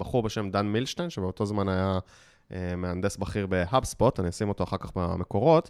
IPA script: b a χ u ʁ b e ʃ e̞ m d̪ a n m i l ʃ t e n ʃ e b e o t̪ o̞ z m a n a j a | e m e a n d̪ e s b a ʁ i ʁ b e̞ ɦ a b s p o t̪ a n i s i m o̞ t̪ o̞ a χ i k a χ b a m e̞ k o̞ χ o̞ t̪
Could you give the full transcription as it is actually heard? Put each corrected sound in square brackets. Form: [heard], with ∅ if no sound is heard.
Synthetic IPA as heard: b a χ u ʁ b e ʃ e̞ m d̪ a n m i l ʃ t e n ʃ e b e o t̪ o̞ z m a n a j a | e m e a n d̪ e s b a [χ] i ʁ b e̞ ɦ a b s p o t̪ a n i s i m o̞ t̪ o̞ a χ [a] k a χ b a m e̞ k o̞ [ʁ] o̞ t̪